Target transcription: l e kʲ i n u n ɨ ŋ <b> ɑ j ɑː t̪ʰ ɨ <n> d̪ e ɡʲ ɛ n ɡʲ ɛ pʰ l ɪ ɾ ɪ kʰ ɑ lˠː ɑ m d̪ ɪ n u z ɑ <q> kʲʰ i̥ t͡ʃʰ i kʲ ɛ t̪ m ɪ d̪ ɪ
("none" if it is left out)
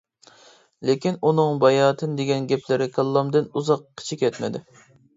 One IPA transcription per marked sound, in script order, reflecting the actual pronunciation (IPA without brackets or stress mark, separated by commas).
b, n, q